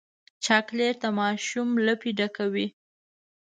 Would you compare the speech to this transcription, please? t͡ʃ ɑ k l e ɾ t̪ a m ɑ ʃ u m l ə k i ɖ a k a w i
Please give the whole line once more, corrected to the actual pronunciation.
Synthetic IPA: t͡ʃ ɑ k l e ɾ t̪ a m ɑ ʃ u m l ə p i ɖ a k a w i